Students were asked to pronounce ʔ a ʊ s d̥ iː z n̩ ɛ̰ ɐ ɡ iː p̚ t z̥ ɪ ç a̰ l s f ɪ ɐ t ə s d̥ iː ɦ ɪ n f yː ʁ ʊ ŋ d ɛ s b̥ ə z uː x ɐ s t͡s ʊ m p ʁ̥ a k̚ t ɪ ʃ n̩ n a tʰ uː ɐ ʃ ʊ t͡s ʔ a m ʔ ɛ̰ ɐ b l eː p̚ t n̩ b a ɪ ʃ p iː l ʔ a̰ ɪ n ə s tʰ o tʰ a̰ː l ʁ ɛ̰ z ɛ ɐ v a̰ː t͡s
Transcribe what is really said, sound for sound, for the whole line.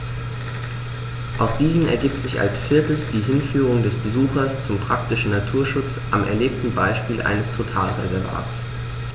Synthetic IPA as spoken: ʔ a ʊ s d̥ iː z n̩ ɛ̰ ɐ ɡ iː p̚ t z̥ ɪ ç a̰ l s f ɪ ɐ t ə s d̥ iː ɦ ɪ n f yː ʁ ʊ ŋ d ɛ s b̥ ə z uː x ɐ s t͡s ʊ m p ʁ̥ a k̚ t ɪ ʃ n̩ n a tʰ uː ɐ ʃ ʊ t͡s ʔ a m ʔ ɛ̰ ɐ l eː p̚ t n̩ b a ɪ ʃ p iː l ʔ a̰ ɪ n ə s tʰ o tʰ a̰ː l ʁ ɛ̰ z ɛ ɐ v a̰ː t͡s